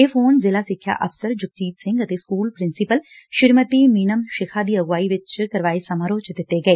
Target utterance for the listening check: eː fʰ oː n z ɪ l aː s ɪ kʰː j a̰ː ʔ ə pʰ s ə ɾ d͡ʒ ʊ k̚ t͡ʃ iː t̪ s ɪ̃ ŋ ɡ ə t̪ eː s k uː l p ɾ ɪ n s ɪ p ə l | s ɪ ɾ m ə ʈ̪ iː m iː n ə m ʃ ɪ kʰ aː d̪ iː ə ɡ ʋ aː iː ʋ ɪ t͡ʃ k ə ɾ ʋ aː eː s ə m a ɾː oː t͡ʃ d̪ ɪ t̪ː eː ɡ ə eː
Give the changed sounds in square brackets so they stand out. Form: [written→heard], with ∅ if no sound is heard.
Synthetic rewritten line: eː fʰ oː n z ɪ l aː s ɪ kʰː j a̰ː ʔ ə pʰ s ə ɾ d͡ʒ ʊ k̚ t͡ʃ iː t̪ s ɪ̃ ŋ ɡ ə t̪ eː s k uː l p ɾ ɪ n s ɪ p ə l | [s→ʃ] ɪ ɾ m ə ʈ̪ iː m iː n ə m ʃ ɪ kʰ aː d̪ iː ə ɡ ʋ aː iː ʋ ɪ t͡ʃ k ə ɾ ʋ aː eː s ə m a [ɾː→ɾ] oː t͡ʃ d̪ ɪ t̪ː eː ɡ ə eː

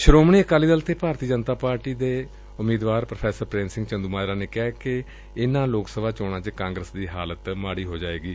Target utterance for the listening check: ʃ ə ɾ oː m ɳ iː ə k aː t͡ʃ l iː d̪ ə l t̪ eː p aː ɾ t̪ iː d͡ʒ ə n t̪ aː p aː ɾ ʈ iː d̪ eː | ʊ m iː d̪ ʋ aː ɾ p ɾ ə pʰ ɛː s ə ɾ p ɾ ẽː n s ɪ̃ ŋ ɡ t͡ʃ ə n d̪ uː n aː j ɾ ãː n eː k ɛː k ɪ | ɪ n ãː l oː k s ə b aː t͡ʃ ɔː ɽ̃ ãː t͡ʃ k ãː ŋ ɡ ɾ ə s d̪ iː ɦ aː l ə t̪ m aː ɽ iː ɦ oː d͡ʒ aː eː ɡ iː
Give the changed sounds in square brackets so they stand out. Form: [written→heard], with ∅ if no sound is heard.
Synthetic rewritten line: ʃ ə ɾ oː m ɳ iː ə k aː [t͡ʃ→∅] l iː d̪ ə l t̪ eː p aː ɾ t̪ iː d͡ʒ ə n t̪ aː p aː ɾ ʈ iː d̪ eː | ʊ m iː d̪ ʋ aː ɾ p ɾ ə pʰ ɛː s ə ɾ p ɾ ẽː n s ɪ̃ ŋ ɡ t͡ʃ ə n d̪ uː [n→m] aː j ɾ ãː n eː k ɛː k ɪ | ɪ n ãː l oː k s ə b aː t͡ʃ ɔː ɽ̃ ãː t͡ʃ k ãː ŋ ɡ ɾ ə s d̪ iː ɦ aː l ə t̪ m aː ɽ iː ɦ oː d͡ʒ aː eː ɡ iː

